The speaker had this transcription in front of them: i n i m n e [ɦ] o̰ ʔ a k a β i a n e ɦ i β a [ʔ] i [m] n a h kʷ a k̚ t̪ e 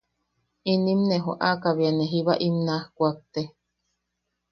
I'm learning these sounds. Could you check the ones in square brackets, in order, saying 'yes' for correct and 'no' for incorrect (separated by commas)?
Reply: yes, yes, yes